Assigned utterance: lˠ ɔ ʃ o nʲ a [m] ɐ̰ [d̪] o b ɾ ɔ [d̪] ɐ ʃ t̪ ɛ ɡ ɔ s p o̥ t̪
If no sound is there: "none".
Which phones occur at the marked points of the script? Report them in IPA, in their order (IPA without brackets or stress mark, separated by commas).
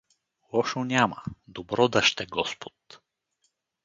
m, d̪, d̪